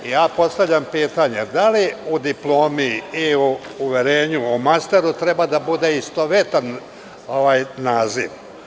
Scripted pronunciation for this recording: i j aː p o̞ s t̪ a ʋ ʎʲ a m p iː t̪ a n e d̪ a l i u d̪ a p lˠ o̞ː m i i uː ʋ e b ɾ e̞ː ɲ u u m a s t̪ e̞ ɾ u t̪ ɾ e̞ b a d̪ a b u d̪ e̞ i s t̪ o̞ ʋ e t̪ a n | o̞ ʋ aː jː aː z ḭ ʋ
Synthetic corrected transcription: i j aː p o̞ s t̪ a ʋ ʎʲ a m p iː t̪ a ɲ e d̪ a l i u d̪ i p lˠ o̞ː m i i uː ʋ e ɾ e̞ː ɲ u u m a s t̪ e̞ ɾ u t̪ ɾ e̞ b a d̪ a b u d̪ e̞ i s t̪ o̞ ʋ e t̪ a n | o̞ ʋ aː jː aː z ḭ ʋ